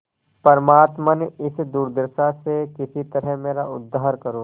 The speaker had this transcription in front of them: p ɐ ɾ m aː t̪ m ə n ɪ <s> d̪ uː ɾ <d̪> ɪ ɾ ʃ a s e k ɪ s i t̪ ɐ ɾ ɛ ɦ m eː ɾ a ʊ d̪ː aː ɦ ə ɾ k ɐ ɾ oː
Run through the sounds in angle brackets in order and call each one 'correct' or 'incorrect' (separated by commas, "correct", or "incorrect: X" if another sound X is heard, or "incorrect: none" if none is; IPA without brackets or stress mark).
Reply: correct, correct